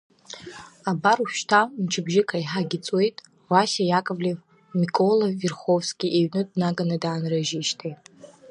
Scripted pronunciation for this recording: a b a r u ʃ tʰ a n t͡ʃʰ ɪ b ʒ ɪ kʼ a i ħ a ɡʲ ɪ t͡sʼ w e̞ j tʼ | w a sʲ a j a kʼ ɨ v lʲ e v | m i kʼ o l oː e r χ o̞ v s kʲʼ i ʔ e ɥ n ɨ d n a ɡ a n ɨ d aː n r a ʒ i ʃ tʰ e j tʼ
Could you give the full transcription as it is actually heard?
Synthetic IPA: a b a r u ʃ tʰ a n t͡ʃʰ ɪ b ʒ ɪ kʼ a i ħ a ɡʲ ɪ t͡sʼ w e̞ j tʼ | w a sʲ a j a kʼ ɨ v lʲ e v | m i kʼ o l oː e r χ o̞ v s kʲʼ i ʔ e ɥ n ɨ d n a ɡ a n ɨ d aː n r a ʒ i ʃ tʰ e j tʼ

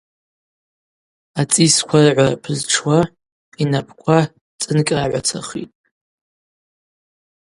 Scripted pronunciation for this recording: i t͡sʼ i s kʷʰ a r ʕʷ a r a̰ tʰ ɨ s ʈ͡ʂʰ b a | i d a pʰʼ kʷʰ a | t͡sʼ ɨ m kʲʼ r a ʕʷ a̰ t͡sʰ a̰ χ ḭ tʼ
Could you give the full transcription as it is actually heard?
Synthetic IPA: a t͡sʼ i s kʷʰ a r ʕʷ a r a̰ pʰ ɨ z ʈ͡ʂʰ w a | i n a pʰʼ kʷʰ a | t͡sʼ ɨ n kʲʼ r a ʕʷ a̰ t͡sʰ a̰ χ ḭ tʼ

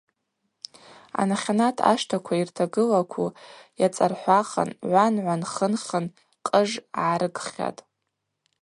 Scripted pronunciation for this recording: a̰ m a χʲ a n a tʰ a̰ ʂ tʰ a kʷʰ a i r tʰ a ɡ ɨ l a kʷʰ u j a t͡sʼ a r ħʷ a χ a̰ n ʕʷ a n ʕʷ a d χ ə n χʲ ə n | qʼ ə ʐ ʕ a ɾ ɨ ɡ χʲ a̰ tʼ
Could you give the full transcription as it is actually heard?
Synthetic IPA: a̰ n a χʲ a n a tʰ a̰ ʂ tʰ a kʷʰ a i r tʰ a ɡ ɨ l a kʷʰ u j a t͡sʼ a r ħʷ a χ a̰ n ʕʷ a n ʕʷ a n χ ə n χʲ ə n | qʼ ə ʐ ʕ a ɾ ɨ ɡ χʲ a̰ tʼ

